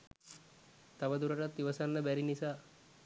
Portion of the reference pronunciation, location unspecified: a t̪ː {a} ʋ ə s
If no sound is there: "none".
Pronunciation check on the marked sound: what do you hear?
i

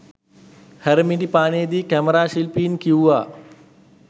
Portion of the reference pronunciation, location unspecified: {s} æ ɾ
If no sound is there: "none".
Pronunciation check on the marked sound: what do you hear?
h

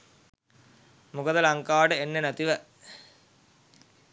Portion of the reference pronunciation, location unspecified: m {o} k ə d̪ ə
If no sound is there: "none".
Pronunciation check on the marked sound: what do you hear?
u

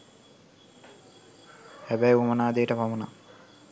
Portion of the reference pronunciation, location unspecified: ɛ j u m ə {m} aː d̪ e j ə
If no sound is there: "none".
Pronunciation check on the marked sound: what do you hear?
n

